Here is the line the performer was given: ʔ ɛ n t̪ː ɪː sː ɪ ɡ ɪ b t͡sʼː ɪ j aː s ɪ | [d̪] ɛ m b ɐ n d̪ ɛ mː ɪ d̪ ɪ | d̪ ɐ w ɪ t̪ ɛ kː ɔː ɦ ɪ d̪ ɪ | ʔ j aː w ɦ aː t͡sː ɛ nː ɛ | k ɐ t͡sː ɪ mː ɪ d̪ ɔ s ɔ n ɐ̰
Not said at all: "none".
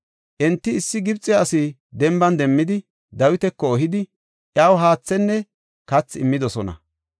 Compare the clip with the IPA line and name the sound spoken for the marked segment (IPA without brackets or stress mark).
d̪